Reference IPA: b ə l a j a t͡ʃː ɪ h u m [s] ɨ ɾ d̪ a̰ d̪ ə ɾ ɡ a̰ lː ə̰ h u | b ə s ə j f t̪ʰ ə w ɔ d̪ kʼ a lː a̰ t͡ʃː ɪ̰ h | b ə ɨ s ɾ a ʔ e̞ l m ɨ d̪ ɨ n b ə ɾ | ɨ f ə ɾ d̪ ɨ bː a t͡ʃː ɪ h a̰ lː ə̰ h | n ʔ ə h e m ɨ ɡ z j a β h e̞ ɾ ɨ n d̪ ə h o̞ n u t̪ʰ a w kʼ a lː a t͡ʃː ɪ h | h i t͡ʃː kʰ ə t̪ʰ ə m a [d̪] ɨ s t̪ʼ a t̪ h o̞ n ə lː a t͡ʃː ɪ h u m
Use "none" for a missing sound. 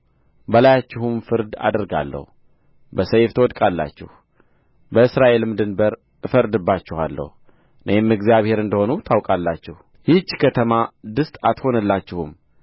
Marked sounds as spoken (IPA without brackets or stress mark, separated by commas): f, d̪